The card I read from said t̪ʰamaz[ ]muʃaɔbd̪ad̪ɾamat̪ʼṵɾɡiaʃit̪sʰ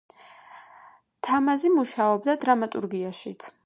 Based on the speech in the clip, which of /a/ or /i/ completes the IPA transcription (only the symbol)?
i